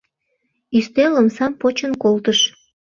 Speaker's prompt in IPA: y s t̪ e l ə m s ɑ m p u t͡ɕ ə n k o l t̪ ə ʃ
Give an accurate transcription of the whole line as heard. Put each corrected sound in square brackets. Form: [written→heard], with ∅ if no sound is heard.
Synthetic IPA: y s t̪ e l ə m s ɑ m p [u→o] t͡ɕ ə n k o l t̪ ə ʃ